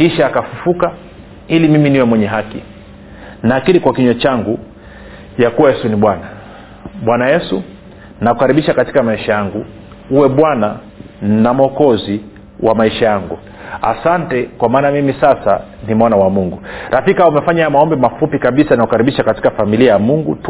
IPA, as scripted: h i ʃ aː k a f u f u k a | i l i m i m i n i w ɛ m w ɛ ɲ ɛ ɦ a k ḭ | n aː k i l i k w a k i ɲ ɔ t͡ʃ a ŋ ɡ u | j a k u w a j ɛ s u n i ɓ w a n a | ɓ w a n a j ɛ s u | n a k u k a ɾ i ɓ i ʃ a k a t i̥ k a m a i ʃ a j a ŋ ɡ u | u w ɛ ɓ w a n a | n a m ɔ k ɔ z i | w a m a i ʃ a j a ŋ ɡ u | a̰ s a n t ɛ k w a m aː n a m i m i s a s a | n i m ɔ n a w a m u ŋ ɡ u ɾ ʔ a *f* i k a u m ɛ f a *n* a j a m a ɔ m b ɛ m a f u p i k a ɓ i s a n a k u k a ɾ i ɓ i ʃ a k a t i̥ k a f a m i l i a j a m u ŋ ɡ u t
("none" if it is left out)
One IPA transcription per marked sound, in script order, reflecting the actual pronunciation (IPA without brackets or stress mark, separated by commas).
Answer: f, ɲ